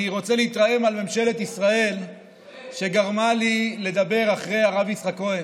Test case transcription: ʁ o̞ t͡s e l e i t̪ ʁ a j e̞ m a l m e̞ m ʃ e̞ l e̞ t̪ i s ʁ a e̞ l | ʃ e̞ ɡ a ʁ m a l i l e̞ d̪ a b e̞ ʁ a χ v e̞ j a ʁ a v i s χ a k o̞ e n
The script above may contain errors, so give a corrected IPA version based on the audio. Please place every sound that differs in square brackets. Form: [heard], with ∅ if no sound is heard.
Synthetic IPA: ʁ o̞ t͡s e l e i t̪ ʁ a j e̞ m a l m e̞ m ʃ e̞ l e̞ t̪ i s ʁ a e̞ l | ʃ e̞ ɡ a ʁ m a l i l e̞ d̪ a b e̞ ʁ a χ [ʁ] e̞ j a ʁ a v i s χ a k o̞ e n